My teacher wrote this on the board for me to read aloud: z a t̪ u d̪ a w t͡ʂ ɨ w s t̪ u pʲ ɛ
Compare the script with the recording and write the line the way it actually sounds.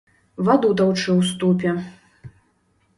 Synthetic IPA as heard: v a d̪ u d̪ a w t͡ʂ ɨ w s t̪ u pʲ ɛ